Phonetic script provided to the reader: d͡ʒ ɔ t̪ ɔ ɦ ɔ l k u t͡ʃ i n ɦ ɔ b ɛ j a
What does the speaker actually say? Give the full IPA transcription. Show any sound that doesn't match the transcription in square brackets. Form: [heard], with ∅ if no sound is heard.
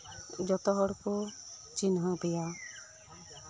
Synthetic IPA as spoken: d͡ʒ ɔ t̪ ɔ ɦ ɔ [ɽ] k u t͡ʃ i n ɦ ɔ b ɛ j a

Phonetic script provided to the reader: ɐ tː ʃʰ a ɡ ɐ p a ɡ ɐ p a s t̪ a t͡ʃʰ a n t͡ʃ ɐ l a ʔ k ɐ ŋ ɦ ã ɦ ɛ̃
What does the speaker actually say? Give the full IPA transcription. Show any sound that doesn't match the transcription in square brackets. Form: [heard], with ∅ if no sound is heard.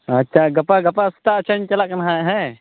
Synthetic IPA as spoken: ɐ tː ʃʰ a ɡ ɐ p a ɡ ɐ p a s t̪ a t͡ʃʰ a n t͡ʃ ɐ l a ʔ k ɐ [n] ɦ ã ɦ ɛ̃

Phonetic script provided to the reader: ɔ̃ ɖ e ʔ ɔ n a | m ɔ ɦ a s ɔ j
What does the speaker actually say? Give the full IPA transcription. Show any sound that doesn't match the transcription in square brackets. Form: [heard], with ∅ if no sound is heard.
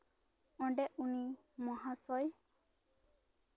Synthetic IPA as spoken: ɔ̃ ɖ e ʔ [u] n [i] | m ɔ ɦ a s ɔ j

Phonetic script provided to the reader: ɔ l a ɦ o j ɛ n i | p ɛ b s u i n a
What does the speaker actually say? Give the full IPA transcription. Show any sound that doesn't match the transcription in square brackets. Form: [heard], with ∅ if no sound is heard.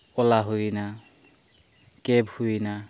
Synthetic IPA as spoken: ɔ l a ɦ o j [i] n [a] | [k] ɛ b [h] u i n a

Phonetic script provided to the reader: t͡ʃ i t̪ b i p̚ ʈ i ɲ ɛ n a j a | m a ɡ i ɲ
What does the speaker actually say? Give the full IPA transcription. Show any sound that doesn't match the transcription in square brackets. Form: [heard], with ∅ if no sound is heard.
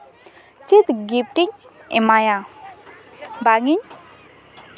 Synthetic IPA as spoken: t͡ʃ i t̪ [ɡ] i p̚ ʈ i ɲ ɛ [m] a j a | [b] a [ŋ] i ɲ

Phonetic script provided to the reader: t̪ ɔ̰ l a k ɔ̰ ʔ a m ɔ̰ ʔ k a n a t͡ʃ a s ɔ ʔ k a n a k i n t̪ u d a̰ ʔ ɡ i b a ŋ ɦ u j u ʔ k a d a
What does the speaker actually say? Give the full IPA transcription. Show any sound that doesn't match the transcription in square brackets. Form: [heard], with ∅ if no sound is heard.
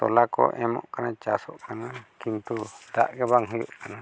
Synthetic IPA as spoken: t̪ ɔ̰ l a k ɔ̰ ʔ [ɛ] m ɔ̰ ʔ k a n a t͡ʃ a s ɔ ʔ k a n a k i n t̪ u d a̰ ʔ ɡ [ɛ] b a ŋ ɦ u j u ʔ k a [n] a

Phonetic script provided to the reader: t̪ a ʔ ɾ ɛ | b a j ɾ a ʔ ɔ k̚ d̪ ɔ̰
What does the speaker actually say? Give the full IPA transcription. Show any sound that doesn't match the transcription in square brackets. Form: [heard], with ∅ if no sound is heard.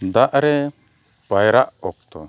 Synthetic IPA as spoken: [d̪] a ʔ ɾ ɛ | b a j ɾ a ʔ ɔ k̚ [t̪] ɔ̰

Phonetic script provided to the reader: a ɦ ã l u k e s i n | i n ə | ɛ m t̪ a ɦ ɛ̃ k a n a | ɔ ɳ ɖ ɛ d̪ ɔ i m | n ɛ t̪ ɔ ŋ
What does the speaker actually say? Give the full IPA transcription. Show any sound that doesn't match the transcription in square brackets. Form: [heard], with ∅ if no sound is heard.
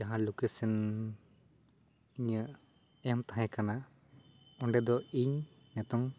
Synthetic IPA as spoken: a ɦ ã l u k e s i n | i [ɲ] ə | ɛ m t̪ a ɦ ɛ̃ k a n a | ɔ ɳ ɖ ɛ d̪ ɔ i [ɲ] | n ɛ t̪ ɔ ŋ

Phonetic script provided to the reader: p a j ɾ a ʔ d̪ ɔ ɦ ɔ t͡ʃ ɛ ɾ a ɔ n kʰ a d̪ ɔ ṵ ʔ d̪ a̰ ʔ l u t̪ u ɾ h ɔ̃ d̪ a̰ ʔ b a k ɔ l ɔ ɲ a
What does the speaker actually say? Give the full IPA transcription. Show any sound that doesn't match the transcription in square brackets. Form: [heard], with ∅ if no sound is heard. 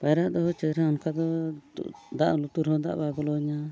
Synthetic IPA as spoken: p a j ɾ a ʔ d̪ ɔ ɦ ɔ t͡ʃ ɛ ɾ a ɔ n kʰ a d̪ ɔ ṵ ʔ d̪ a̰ ʔ l u t̪ u ɾ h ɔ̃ d̪ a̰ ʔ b a [ɡ] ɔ l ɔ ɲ a

